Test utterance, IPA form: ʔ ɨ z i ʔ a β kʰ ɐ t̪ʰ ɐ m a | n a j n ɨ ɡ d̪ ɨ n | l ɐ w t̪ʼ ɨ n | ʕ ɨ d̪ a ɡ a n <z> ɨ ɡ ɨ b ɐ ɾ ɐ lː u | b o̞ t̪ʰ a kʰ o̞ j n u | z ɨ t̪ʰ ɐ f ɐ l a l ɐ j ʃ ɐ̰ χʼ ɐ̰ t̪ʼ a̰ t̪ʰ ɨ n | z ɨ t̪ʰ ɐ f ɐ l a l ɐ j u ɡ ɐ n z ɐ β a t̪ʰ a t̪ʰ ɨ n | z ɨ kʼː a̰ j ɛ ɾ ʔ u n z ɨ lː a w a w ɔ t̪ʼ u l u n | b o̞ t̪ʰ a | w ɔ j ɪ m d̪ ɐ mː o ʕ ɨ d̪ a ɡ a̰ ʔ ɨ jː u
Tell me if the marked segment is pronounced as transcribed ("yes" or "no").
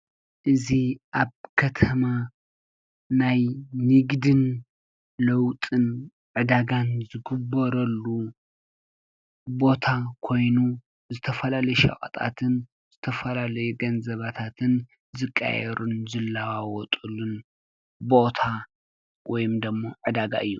yes